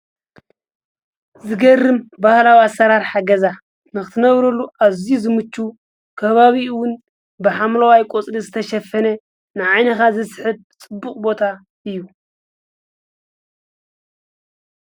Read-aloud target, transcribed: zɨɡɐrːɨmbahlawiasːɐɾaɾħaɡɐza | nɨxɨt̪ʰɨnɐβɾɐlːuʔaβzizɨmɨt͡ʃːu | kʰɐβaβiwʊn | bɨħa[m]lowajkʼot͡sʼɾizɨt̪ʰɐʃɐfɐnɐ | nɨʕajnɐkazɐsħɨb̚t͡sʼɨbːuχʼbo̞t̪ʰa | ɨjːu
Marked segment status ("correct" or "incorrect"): correct